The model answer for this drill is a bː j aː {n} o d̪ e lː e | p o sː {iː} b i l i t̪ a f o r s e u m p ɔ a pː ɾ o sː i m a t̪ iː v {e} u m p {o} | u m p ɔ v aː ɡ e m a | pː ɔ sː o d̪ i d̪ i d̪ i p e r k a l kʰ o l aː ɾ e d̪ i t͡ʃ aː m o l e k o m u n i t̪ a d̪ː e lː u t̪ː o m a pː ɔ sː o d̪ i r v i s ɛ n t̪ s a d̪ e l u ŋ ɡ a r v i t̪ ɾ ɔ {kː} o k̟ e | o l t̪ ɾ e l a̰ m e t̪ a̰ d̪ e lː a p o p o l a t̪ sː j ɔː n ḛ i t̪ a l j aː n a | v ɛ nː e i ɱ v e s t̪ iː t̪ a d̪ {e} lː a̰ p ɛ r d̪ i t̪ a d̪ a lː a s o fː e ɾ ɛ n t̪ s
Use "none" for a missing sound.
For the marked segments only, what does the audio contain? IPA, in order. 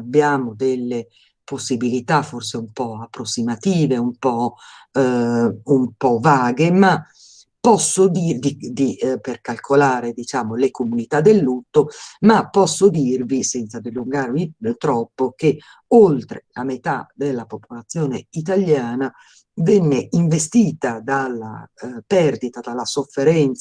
m, i, e, ɔ, pː, a

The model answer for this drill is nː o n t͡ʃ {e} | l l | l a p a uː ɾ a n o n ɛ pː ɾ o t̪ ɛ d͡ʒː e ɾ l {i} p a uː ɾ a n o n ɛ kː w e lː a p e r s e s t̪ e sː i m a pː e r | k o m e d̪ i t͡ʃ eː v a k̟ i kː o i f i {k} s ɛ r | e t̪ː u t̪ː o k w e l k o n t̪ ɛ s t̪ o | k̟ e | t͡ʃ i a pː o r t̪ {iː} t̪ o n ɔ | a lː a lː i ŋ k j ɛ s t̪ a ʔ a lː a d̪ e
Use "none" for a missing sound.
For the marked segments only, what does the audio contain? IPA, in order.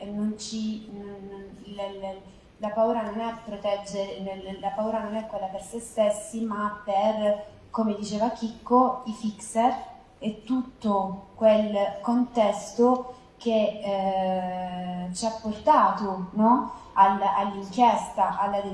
i, a, k, aː

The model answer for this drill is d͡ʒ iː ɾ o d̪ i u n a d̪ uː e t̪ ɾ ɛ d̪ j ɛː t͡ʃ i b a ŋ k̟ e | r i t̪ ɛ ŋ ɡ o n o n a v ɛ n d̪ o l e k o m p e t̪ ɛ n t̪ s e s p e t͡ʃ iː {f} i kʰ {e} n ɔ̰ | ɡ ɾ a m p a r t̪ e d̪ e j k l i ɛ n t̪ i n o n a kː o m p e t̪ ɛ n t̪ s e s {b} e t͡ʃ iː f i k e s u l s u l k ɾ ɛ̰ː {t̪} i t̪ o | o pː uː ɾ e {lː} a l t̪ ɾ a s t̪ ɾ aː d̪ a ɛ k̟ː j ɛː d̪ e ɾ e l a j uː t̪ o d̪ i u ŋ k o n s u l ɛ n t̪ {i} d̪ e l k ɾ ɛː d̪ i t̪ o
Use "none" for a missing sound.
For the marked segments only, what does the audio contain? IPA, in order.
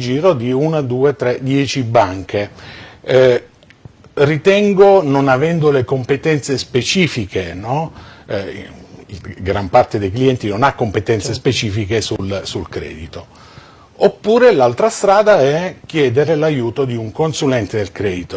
f, e, p, d̪, l, e

